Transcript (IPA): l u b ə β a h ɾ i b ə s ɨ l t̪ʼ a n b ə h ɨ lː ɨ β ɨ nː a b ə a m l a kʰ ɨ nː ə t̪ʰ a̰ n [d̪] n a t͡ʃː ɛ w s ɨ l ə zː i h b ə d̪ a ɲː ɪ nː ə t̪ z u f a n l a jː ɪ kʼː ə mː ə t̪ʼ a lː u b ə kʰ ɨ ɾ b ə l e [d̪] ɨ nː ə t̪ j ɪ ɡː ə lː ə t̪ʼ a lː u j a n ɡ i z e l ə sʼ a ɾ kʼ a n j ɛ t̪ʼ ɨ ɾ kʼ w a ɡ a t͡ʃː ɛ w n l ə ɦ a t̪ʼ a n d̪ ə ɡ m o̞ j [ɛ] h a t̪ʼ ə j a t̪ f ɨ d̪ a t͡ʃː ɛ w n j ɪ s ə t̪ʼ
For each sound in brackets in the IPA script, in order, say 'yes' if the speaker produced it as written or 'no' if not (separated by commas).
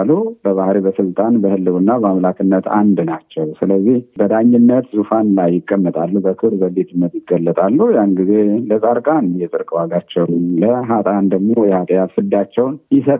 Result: yes, no, yes